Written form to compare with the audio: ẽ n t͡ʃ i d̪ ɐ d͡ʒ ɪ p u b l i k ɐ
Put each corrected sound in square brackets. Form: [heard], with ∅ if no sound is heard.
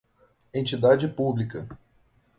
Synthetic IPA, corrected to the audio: ẽ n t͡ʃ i d̪ [a] d͡ʒ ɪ p u b l i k ɐ